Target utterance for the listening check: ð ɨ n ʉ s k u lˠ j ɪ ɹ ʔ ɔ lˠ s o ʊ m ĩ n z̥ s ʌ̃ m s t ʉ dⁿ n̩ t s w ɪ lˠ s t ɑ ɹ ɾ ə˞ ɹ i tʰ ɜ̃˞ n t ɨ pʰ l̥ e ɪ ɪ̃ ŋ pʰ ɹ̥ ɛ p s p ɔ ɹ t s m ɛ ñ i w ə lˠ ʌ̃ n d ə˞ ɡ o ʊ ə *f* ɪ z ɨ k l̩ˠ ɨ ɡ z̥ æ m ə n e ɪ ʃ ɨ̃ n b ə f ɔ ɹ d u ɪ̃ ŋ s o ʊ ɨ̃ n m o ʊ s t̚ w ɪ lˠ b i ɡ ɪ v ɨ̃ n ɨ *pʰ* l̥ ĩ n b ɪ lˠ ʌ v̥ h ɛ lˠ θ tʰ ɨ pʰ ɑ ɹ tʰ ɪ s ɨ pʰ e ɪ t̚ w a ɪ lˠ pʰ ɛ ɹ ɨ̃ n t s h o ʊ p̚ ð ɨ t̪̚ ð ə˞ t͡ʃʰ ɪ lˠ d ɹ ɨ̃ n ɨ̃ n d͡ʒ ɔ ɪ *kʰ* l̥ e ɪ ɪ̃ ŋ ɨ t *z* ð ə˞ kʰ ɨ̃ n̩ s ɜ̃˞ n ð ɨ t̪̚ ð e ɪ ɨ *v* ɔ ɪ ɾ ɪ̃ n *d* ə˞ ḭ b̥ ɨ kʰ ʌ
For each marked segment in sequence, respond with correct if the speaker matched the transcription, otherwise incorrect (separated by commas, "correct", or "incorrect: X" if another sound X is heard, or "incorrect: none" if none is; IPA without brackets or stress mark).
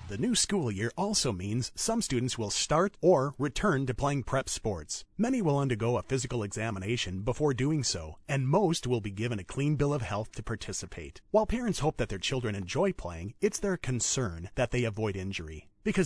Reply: correct, incorrect: kʰ, incorrect: pʰ, incorrect: s, correct, incorrect: d͡ʒ